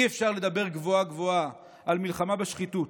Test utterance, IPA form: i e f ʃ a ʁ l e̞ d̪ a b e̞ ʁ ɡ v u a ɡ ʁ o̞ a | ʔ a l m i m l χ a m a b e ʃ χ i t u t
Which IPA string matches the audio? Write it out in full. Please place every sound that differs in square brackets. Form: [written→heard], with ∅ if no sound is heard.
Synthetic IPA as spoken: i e f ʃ a ʁ l e̞ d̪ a b e̞ ʁ ɡ v [u→o] a ɡ [ʁ→v] o̞ a | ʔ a l m i [m→∅] l χ a m a b e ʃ χ i t u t